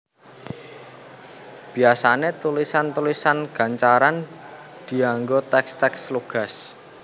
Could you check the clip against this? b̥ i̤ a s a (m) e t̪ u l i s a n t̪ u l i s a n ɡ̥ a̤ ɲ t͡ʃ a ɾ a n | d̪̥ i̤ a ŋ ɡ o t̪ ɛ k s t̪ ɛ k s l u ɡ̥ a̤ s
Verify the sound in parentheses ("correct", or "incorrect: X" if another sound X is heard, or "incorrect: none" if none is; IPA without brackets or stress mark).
incorrect: n